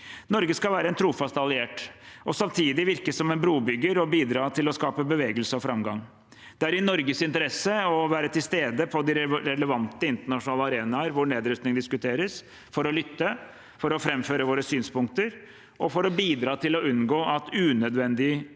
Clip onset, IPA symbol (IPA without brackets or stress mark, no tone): n